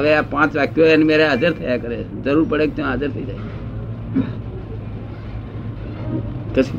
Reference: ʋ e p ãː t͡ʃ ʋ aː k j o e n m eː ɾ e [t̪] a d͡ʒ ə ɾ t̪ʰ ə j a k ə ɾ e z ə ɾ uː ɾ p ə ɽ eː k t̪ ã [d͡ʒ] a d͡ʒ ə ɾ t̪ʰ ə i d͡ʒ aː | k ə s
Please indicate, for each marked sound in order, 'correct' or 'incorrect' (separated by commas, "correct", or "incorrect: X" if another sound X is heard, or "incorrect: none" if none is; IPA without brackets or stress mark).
incorrect: none, incorrect: none